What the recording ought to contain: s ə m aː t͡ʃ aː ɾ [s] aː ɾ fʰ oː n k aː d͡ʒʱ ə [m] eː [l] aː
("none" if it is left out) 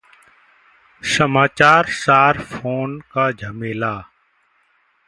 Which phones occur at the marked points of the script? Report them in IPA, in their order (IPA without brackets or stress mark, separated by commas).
s, m, l